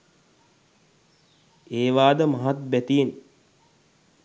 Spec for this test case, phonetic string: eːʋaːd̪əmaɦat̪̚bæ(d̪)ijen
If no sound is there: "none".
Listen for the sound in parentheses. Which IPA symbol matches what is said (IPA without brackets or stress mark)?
t̪